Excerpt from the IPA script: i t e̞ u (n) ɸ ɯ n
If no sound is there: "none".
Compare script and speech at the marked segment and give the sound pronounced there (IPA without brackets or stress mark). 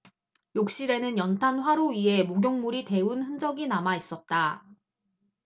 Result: n